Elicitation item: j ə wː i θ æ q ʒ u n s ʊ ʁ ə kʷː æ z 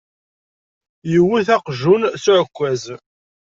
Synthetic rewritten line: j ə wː i θ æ q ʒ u n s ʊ ʕ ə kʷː æ z